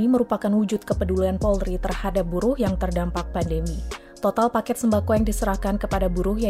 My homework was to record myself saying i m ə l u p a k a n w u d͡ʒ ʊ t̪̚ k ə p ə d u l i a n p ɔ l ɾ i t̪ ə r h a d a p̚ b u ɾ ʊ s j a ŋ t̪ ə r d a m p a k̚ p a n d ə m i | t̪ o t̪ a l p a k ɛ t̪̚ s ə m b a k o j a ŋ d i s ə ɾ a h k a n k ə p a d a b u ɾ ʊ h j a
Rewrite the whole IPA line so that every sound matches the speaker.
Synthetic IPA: i m ə ɾ u p a k a n w u d͡ʒ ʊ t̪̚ k ə p ə d u l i a n p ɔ l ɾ i t̪ ə r h a d a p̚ b u ɾ ʊ h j a ŋ t̪ ə r d a m p a k̚ p a n d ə m i | t̪ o t̪ a l p a k ɛ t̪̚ s ə m b a k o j a ŋ d i s ə ɾ a h k a n k ə p a d a b u ɾ ʊ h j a